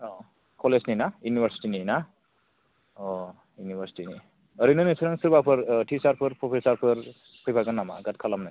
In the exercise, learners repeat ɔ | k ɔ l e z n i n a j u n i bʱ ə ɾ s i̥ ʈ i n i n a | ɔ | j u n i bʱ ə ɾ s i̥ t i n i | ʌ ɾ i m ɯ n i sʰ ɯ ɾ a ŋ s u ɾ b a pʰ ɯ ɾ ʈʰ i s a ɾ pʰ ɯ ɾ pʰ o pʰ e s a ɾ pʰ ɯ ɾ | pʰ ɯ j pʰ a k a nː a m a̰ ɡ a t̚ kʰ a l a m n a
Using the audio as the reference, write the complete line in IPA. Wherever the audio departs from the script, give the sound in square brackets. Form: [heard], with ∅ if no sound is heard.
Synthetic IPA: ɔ | k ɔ l e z n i n a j u n i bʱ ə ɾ s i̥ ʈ i n i n a | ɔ | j u n i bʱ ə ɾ s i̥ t i n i | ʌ ɾ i [n] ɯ n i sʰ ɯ ɾ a ŋ s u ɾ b a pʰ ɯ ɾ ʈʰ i s a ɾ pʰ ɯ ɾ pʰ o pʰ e s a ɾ pʰ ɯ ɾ | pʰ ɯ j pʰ a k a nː a m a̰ ɡ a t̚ kʰ a l a m n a